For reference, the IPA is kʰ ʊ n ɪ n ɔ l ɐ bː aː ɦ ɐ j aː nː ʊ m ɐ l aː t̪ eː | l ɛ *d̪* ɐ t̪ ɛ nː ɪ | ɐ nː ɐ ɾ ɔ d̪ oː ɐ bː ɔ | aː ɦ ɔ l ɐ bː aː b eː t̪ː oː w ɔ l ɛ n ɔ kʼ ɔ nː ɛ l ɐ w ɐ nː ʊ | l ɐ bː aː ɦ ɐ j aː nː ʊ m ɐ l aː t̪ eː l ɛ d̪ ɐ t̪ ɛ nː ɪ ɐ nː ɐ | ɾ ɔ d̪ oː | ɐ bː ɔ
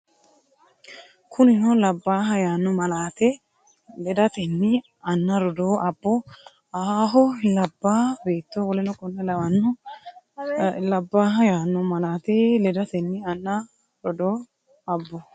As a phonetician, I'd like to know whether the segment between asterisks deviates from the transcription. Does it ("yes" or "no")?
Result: no